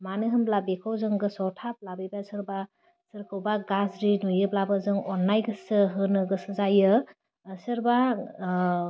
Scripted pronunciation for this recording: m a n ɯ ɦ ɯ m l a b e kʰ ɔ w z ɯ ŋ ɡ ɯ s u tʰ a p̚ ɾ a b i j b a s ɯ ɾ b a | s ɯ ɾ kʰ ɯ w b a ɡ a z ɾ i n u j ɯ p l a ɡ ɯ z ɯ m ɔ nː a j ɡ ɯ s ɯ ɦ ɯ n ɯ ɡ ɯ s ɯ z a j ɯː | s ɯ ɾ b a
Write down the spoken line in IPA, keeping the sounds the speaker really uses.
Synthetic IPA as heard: m a n ɯ ɦ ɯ m l a b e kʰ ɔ w z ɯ ŋ ɡ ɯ s ɔ tʰ a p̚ l a b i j b a s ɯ ɾ b a | s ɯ ɾ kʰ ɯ w b a ɡ a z ɾ i n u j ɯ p l a b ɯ z ɯ ŋ ɔ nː a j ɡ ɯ s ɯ ɦ ɯ n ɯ ɡ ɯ s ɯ z a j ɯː | s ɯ ɾ b a